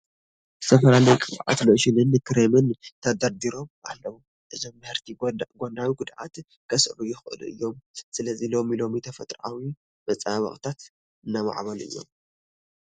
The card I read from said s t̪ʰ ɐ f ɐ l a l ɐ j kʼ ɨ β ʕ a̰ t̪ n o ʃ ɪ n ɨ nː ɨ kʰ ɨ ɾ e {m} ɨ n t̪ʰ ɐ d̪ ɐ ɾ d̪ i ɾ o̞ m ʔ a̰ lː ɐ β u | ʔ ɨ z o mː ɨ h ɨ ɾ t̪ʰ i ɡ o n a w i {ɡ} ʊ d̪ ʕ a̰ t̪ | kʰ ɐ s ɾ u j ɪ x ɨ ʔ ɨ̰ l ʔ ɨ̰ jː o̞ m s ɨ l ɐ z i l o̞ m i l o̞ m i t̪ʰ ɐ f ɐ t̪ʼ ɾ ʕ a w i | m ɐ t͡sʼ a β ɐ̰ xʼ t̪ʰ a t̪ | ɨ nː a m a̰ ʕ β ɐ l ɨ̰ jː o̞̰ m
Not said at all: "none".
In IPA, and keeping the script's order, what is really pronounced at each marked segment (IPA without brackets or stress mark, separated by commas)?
m, ɡ